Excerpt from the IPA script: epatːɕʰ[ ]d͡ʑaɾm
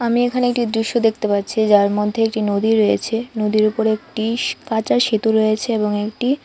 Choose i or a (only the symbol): i